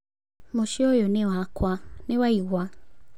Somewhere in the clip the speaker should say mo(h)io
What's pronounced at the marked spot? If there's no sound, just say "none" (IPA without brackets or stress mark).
ʃ